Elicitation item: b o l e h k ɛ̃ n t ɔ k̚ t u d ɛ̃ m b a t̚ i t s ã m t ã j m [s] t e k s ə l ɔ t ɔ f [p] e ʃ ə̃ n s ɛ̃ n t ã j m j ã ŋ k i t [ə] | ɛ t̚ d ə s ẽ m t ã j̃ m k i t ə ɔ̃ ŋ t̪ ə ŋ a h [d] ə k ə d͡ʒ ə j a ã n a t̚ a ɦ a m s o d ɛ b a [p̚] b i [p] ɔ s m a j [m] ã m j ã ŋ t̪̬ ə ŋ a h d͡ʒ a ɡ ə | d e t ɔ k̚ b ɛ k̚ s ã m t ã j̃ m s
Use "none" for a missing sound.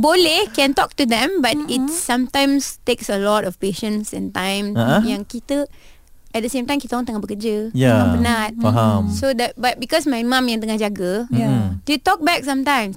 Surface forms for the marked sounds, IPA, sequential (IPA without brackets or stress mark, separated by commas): s, p, ə, b, t̚, k, m